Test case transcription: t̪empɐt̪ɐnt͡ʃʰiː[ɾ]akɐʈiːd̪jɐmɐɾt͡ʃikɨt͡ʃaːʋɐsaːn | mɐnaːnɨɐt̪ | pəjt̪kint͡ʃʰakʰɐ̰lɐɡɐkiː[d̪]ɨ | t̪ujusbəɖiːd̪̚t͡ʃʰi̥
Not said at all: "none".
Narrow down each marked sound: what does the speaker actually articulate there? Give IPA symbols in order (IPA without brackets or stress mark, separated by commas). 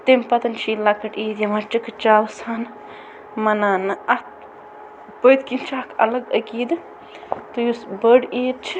l, d̪